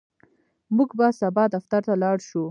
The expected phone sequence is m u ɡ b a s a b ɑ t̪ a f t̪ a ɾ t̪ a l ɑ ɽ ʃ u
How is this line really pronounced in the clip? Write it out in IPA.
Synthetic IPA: m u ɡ b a s a b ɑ d̪ a f t̪ a ɾ t̪ a l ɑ ɽ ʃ u